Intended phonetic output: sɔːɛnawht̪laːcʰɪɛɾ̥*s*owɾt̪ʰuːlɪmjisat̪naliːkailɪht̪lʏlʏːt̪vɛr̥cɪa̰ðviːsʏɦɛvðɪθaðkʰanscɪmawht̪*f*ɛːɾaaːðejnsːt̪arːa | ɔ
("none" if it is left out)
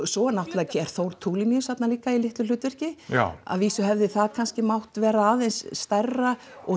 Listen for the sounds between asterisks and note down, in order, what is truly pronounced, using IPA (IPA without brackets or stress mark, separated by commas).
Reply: θ, v